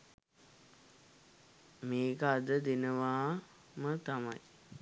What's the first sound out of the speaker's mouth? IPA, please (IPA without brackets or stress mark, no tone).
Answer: m